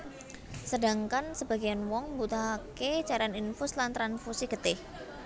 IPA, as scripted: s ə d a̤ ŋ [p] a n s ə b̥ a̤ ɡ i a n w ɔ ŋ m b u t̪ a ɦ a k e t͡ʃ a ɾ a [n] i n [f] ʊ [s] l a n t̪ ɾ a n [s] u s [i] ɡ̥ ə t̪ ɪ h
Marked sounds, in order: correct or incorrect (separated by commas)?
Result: incorrect, correct, correct, correct, incorrect, correct